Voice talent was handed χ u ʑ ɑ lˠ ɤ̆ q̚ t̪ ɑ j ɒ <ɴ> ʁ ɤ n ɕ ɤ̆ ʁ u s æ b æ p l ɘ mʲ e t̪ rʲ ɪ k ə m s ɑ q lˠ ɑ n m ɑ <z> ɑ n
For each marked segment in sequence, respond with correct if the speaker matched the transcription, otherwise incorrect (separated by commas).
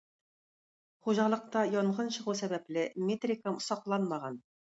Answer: correct, incorrect